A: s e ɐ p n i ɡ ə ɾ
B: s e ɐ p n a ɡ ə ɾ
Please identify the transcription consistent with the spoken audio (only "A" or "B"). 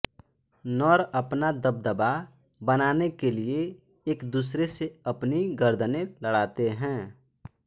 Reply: A